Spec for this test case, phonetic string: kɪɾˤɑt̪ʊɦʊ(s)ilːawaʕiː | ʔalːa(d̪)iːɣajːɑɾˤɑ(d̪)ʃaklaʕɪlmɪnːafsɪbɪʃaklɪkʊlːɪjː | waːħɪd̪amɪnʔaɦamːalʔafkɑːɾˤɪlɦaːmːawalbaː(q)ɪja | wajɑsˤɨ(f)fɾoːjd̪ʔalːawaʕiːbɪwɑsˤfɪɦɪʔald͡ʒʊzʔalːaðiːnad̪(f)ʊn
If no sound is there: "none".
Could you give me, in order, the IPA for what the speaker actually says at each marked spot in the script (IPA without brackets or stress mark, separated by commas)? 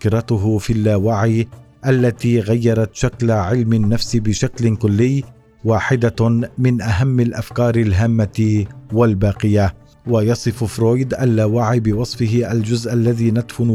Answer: f, t̪, t̪, q, f, f